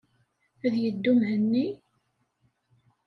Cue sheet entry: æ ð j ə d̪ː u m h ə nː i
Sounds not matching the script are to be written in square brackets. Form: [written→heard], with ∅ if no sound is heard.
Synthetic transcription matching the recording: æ ð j ə d̪ː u m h ə nː i